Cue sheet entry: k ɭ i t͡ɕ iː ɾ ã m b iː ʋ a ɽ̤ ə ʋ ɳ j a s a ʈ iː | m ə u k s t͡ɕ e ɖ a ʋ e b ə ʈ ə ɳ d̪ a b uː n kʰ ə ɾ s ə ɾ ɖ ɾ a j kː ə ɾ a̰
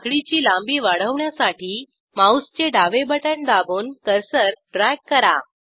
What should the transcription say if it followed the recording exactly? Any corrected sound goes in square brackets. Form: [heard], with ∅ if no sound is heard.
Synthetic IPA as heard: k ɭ i t͡ɕ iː [l] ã m b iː ʋ a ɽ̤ ə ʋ ɳ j a s a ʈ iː | m [a] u [∅] s t͡ɕ e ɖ a ʋ e b ə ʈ ə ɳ d̪ a b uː n [k] ə ɾ s ə ɾ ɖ ɾ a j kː ə ɾ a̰